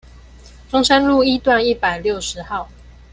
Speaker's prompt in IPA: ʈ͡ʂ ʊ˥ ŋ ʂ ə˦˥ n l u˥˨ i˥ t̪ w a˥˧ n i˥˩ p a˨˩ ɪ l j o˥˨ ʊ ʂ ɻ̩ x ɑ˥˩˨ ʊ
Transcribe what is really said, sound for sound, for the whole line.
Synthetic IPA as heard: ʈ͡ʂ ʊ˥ ŋ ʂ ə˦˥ n l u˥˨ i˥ t̪ w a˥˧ n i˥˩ p a˨˩ ɪ l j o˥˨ ʊ ʂ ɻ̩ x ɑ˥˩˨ ʊ